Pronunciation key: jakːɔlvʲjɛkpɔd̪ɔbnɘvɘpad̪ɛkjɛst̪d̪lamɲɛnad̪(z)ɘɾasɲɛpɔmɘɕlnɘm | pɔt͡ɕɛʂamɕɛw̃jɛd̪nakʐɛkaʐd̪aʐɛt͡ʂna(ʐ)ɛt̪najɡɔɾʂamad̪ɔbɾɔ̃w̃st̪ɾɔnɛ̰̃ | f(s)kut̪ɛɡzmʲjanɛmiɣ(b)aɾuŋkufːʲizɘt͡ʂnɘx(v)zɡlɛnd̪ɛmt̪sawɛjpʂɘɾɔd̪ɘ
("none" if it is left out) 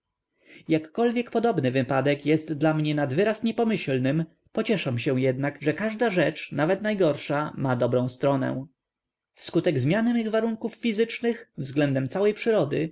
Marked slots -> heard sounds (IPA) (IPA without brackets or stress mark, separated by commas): v, v, s, v, v